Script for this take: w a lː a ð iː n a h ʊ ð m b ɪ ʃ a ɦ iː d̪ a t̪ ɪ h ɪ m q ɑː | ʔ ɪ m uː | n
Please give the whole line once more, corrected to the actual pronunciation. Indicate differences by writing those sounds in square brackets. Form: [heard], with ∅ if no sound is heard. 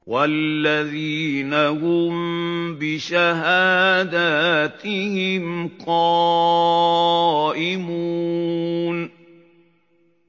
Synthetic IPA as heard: w a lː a ð iː n a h ʊ [∅] m b ɪ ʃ a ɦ [aː] d̪ a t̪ ɪ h ɪ m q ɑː | ʔ ɪ m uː | n